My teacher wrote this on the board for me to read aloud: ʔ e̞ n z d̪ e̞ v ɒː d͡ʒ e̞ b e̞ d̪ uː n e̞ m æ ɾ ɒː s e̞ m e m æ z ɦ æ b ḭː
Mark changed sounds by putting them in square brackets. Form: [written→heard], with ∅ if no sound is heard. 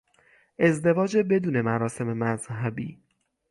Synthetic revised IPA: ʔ e̞ [n→∅] z d̪ e̞ v ɒː d͡ʒ e̞ b e̞ d̪ uː n e̞ m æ ɾ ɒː s e̞ m e m æ z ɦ æ b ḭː

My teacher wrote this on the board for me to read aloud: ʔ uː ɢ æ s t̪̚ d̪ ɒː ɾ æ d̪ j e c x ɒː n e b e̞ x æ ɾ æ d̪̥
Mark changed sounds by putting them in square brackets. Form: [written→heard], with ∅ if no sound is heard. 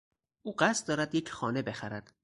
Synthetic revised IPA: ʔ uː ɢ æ s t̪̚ d̪ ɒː ɾ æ d̪ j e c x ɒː n e b e̞ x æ ɾ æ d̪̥

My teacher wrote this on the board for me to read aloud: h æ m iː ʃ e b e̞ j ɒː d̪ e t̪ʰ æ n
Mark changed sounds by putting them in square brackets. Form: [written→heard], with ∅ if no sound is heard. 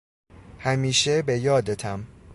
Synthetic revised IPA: h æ m iː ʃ e b e̞ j ɒː d̪ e t̪ʰ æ [n→m]

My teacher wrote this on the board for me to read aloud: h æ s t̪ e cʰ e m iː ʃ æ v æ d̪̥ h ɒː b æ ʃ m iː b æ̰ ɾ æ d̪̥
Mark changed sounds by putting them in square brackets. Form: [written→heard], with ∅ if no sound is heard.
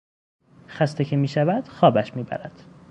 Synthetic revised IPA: [h→x] æ s t̪ e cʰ e m iː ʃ æ v æ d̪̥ [h→x] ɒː b æ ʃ m iː b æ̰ ɾ æ d̪̥

